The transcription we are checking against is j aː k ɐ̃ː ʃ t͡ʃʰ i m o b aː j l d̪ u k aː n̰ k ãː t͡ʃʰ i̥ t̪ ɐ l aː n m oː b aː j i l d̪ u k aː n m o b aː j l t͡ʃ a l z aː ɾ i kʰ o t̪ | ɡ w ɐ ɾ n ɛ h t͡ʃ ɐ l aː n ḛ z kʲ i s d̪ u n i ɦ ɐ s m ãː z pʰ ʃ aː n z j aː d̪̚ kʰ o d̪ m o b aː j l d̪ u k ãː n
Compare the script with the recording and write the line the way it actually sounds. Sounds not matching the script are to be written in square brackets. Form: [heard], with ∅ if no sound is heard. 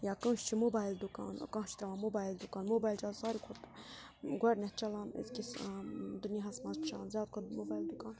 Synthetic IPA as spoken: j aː k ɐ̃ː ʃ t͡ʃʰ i m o b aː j l d̪ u k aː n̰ k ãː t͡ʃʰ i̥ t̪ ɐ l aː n m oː b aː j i l d̪ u k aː n m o b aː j l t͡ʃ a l [s] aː ɾ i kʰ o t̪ | ɡ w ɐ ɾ n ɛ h t͡ʃ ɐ l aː n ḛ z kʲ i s d̪ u n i ɦ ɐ s m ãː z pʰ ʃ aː n z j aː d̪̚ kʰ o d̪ m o b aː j l d̪ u k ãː n